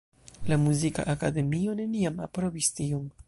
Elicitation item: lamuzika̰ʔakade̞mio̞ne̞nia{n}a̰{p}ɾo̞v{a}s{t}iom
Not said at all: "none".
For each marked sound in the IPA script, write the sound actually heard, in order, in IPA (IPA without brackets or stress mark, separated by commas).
m, p, i, t